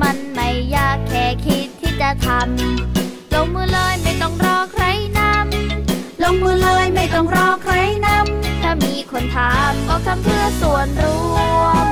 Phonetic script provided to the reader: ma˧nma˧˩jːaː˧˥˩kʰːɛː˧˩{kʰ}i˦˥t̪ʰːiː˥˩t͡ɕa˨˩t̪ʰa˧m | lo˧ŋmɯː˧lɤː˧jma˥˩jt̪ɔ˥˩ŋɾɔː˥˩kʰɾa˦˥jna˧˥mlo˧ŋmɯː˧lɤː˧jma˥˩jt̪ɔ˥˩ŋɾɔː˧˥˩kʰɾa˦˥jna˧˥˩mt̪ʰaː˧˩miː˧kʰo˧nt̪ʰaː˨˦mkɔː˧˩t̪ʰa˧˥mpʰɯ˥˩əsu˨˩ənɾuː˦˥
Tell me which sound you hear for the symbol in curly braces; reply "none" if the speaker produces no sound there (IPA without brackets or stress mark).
kʰ